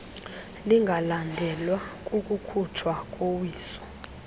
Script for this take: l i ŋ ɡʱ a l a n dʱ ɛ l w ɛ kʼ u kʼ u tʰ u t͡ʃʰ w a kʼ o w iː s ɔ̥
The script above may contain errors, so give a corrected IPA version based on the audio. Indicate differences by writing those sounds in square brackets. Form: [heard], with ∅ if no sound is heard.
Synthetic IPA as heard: l i ŋ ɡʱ a l a n dʱ ɛ l w [a] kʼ u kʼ u [kʰ] u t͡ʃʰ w a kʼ o w iː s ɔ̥